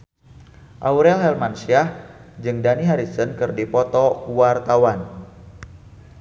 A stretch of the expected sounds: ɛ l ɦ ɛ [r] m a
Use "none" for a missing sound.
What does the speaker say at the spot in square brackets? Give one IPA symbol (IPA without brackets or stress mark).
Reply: l